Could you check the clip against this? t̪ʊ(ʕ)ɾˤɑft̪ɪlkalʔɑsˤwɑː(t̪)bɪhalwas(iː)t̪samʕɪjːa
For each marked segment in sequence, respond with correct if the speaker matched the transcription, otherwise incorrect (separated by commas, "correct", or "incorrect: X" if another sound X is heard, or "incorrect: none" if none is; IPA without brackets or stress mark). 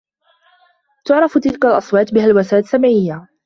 correct, correct, incorrect: aː